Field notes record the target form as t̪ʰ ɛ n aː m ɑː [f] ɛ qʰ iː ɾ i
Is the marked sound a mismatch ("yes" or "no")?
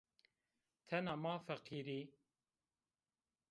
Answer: no